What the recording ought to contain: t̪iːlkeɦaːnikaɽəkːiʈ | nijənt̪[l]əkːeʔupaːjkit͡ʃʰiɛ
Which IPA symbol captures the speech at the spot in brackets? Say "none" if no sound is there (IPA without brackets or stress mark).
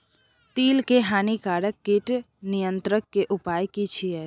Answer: ɾ